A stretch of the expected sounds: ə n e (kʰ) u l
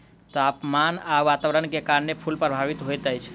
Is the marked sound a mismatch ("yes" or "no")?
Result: yes